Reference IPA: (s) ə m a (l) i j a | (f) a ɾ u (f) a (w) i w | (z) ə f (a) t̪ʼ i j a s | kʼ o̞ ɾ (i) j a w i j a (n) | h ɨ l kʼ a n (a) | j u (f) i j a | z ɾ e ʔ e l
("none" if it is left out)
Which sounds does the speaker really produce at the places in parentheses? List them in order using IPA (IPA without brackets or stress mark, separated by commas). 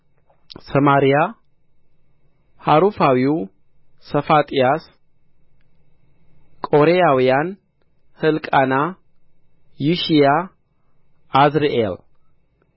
s, ɾ, h, f, w, s, a, e, n, a, ʃ